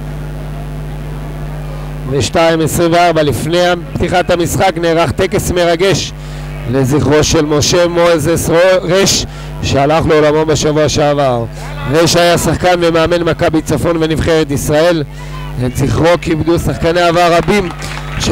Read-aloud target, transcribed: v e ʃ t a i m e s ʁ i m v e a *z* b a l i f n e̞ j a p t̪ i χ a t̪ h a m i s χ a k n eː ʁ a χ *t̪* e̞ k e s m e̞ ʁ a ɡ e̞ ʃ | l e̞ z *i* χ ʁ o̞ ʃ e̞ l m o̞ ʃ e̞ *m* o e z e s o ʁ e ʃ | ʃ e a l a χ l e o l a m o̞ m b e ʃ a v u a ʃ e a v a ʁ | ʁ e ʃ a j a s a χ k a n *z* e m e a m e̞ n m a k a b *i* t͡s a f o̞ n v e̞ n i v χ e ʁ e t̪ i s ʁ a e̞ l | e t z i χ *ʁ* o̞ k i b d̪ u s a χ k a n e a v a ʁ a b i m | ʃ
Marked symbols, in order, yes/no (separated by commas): no, yes, yes, yes, no, yes, yes